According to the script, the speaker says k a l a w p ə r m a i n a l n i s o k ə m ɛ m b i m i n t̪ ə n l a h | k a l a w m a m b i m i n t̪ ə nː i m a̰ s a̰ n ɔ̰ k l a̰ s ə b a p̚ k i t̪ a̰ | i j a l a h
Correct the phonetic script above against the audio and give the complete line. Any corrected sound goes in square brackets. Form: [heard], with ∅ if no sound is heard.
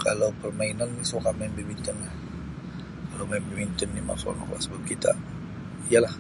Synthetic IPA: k a l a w p ə r m a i n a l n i s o k [a] m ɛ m b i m i n t̪ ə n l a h | k a l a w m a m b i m i n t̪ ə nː i m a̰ s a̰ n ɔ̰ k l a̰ s ə b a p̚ k i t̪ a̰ | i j a l a h